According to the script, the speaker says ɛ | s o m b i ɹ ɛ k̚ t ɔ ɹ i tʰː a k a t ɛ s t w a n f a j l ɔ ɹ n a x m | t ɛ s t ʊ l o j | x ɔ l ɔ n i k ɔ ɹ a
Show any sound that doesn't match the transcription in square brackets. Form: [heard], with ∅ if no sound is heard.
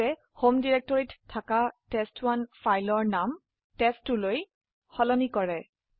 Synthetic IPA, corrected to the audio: ɛ | [h] o m [d] i ɹ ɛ k̚ t ɔ ɹ i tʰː a k a t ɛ s t w a n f a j l ɔ ɹ n a [∅] m | t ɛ s t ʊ l o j | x ɔ l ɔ n i k ɔ ɹ [ɛ]